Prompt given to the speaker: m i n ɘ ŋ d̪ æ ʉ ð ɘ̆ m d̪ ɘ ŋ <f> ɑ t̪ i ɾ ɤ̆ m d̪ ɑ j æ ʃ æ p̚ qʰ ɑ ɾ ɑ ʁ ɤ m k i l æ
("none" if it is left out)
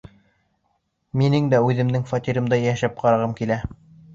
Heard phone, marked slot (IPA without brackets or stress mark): f